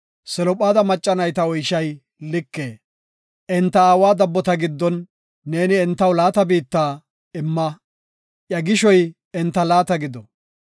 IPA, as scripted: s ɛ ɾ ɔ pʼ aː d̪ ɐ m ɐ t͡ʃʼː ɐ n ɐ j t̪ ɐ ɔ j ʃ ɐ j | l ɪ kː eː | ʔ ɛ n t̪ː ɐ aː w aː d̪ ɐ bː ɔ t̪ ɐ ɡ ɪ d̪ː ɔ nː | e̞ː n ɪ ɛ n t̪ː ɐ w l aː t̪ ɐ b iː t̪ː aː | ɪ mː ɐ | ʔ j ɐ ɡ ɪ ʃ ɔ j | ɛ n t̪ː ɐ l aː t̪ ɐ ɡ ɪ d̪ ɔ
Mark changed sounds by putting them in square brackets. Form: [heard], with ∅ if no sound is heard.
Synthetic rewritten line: s ɛ [l] ɔ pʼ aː d̪ ɐ m ɐ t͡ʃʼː ɐ n ɐ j t̪ ɐ ɔ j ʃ ɐ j | l ɪ kː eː | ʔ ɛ n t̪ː ɐ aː w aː d̪ ɐ bː ɔ t̪ ɐ ɡ ɪ d̪ː ɔ nː | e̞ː n ɪ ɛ n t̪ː ɐ w l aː t̪ ɐ b iː t̪ː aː | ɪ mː ɐ | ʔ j ɐ ɡ ɪ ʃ ɔ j | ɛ n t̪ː ɐ l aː t̪ ɐ ɡ ɪ d̪ ɔ